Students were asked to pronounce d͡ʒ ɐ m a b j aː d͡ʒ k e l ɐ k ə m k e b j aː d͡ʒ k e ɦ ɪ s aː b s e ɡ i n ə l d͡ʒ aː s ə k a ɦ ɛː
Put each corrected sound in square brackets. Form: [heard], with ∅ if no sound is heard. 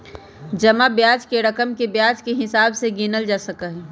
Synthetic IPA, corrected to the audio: d͡ʒ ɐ m a b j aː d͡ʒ k e [ɾ] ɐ k ə m k e b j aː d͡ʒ k e ɦ ɪ s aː b s e ɡ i n ə l d͡ʒ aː s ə k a ɦ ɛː